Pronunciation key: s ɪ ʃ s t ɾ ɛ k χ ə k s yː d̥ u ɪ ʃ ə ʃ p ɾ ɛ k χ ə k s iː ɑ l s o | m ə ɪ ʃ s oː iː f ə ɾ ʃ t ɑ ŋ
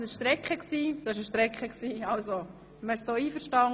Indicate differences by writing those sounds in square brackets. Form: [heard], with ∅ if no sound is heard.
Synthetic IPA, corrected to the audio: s ɪ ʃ [ʃ] t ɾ ɛ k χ ə k s [iː] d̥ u ɪ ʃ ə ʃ [t] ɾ ɛ k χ ə k s iː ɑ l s o | m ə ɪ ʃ s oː iː f ə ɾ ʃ t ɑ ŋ

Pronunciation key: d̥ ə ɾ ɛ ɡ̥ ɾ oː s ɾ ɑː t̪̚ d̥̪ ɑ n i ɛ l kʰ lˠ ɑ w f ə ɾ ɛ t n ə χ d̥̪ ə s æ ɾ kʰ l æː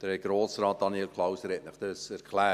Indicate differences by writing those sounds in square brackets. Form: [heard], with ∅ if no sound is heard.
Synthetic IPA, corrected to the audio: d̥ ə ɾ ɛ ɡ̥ ɾ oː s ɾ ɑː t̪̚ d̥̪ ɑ n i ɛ l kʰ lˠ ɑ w [s] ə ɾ ɛ t n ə χ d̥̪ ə s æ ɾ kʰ l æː

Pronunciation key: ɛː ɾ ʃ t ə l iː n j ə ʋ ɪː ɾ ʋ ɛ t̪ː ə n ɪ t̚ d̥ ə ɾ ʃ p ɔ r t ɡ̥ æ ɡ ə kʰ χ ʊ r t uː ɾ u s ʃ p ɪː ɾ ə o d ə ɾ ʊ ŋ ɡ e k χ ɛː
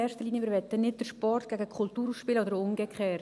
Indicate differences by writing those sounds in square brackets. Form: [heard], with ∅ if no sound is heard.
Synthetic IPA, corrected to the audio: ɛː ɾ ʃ t ə l iː n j ə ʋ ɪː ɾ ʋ ɛ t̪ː ə n ɪ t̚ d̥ ə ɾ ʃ p ɔ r t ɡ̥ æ ɡ ə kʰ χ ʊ [l] t uː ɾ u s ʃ p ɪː [l] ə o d ə ɾ ʊ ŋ ɡ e k χ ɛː

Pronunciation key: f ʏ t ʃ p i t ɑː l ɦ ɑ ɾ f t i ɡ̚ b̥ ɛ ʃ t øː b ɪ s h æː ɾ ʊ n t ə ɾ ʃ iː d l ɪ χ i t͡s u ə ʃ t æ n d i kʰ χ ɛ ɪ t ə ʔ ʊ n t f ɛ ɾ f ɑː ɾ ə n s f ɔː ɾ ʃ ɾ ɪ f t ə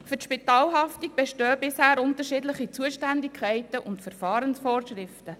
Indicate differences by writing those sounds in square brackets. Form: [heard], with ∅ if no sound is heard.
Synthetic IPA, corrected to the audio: f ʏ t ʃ p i t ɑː l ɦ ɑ [∅] f t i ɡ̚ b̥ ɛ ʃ t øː b ɪ s h æː ɾ ʊ n t ə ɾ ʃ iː d l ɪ χ i t͡s u ə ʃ t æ n d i kʰ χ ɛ ɪ t ə ʔ ʊ n t f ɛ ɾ f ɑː ɾ ə n s f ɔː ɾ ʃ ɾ ɪ f t ə

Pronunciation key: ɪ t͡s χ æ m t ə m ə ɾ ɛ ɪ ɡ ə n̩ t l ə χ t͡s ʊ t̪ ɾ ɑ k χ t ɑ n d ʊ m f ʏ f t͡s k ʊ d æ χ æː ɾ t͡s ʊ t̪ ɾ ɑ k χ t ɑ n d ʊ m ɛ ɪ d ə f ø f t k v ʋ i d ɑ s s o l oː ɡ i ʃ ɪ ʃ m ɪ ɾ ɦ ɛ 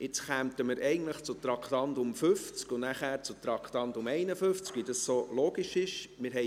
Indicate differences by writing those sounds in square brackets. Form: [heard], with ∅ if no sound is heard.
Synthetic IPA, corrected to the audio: ɪ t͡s χ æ m t ə m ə ɾ ɛ ɪ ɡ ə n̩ t l ə χ t͡s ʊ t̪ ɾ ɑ k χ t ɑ n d ʊ m f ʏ f t͡s k ʊ [n] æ χ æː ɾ t͡s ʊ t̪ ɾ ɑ k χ t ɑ n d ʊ m ɛ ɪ [n] ə f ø f [t͡s] k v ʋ i d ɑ s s o l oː ɡ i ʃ ɪ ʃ m ɪ ɾ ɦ ɛ

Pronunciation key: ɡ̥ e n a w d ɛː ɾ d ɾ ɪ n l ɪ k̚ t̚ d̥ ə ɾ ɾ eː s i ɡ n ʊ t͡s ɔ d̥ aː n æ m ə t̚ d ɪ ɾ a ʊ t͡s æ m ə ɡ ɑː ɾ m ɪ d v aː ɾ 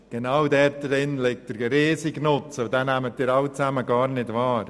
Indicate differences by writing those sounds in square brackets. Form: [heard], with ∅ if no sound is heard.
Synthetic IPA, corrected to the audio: ɡ̥ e n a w d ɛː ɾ d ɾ ɪ n l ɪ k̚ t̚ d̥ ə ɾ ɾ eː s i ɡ n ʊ t͡s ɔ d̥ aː n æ m ə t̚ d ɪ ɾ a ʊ t͡s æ m ə ɡ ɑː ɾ [n] ɪ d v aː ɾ

